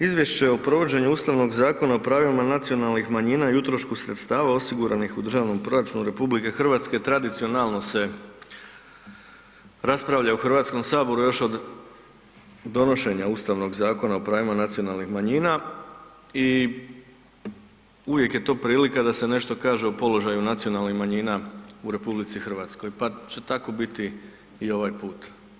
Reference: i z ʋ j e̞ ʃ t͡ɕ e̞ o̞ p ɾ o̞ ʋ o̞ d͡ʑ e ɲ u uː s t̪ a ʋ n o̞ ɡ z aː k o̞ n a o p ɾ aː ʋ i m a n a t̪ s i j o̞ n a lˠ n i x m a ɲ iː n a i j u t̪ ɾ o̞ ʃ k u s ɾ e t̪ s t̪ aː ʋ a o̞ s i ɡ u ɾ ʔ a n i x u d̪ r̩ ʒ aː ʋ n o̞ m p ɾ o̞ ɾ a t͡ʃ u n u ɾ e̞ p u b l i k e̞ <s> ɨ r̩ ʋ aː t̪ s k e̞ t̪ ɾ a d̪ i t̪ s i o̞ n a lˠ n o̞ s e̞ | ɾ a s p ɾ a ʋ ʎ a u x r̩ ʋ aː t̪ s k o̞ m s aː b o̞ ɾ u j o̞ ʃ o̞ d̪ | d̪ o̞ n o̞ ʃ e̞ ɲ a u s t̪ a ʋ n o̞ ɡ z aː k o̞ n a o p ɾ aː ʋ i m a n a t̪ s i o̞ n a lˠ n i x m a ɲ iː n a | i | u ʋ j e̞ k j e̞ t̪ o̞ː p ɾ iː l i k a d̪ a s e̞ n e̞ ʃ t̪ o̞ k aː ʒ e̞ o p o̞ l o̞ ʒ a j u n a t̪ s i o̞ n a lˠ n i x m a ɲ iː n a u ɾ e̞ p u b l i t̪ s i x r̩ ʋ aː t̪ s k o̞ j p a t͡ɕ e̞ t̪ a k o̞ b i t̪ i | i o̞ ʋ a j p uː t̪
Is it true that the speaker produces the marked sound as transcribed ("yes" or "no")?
no